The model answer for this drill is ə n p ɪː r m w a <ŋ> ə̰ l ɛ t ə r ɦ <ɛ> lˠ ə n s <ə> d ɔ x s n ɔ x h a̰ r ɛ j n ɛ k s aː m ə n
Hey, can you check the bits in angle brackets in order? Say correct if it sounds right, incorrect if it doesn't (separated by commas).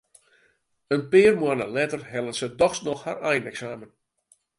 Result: incorrect, correct, correct